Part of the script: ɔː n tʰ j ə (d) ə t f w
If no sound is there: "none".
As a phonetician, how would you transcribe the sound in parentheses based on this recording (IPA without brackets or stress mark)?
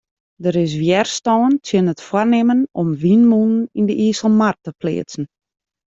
n